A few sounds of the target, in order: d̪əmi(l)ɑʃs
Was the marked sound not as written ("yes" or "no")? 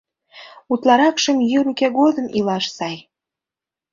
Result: no